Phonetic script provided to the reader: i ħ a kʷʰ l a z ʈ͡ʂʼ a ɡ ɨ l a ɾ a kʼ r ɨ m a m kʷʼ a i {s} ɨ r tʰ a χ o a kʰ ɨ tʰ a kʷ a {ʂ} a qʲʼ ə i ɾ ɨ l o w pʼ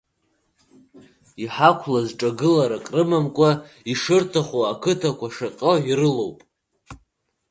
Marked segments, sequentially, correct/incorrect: incorrect, correct

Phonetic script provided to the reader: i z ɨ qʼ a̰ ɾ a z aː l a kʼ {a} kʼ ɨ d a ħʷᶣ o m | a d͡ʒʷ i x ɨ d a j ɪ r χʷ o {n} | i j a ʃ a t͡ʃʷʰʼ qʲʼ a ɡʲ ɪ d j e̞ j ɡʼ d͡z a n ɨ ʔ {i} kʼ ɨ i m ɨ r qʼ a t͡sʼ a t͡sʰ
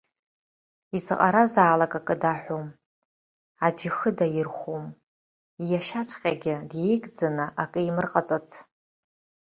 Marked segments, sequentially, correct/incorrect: correct, incorrect, incorrect

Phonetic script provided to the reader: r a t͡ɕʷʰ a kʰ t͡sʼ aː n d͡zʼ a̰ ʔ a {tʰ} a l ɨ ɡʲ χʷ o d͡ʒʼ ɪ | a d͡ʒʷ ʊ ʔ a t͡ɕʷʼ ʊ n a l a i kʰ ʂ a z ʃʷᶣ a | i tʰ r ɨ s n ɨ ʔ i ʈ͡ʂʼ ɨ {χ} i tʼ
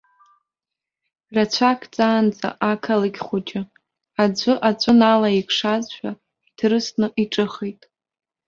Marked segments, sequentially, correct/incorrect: incorrect, correct

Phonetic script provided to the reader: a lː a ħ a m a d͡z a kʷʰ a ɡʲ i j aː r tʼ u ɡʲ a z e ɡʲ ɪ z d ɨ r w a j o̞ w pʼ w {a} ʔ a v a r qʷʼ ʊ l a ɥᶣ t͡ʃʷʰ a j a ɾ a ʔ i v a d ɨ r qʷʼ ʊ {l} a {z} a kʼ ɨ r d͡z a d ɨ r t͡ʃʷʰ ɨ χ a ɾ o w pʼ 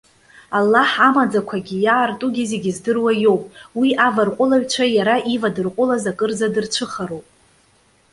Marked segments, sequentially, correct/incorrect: incorrect, correct, correct

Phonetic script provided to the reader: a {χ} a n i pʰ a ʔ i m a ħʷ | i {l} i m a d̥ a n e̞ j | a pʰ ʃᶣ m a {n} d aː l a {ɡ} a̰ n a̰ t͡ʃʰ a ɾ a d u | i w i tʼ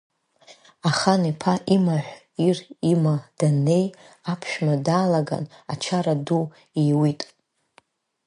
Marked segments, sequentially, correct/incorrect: correct, incorrect, incorrect, correct

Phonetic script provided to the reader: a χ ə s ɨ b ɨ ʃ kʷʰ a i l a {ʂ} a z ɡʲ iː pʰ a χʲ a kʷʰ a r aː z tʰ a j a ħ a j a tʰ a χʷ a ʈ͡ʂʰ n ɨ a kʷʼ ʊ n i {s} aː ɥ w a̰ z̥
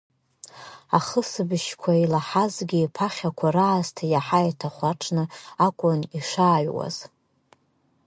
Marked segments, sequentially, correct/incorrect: incorrect, incorrect

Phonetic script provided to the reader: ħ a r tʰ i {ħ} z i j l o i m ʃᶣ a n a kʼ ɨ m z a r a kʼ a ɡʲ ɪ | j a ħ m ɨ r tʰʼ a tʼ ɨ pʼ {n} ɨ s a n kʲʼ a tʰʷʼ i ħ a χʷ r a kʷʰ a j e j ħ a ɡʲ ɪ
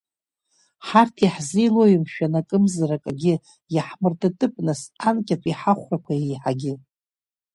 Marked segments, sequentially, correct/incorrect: correct, correct

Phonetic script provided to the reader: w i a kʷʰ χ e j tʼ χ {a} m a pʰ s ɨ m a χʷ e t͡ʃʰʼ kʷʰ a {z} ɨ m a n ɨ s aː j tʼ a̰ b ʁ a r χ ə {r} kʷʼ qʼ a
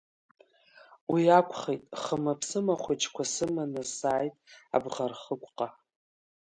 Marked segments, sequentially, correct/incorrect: incorrect, incorrect, incorrect

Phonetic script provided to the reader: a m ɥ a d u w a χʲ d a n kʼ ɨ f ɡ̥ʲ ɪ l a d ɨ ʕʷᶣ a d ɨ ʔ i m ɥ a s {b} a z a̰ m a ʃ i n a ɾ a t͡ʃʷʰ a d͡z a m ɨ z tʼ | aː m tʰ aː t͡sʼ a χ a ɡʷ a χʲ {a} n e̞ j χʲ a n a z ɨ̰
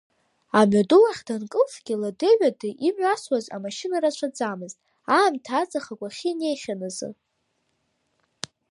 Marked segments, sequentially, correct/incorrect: incorrect, incorrect

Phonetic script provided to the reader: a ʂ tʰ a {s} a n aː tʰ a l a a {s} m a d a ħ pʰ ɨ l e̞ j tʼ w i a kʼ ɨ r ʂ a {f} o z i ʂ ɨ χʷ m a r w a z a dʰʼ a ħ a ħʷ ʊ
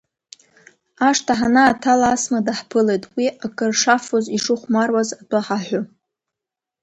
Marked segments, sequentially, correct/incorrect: incorrect, correct, correct

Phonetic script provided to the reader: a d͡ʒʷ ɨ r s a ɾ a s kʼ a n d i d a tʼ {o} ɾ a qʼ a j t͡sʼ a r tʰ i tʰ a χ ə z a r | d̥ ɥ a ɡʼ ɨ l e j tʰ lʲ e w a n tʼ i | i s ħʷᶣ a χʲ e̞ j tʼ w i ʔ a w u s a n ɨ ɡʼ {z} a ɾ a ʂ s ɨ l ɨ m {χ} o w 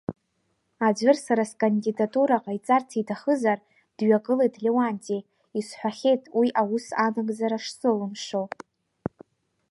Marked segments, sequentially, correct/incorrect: incorrect, correct, incorrect

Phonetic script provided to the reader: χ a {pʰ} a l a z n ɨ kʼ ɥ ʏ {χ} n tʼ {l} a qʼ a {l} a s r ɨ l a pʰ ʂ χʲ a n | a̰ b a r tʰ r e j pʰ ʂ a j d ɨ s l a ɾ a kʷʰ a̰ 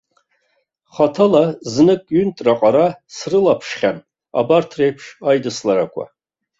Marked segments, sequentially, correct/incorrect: incorrect, incorrect, incorrect, incorrect

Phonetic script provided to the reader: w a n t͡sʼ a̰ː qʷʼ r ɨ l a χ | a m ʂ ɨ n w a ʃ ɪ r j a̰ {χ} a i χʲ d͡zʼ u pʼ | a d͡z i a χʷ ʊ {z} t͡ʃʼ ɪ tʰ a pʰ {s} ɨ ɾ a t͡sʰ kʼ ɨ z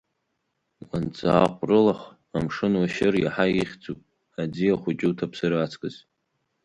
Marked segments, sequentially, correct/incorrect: incorrect, incorrect, correct

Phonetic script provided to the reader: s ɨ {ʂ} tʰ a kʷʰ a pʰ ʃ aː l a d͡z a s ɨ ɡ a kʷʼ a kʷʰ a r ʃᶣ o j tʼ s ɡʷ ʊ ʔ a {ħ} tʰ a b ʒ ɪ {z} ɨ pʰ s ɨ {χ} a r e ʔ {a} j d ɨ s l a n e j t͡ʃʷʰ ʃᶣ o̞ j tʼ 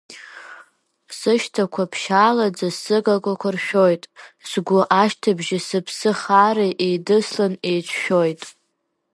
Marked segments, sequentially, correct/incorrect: incorrect, incorrect, incorrect, correct, incorrect

